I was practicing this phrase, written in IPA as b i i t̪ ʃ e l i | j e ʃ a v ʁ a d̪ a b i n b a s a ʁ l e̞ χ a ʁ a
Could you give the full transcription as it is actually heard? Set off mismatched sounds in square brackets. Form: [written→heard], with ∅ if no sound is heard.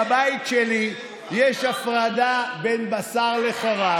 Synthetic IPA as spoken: b [i→a] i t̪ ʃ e l i | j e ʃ a [v→f] ʁ a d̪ a b [i→e] n b a s a ʁ l e̞ χ a ʁ a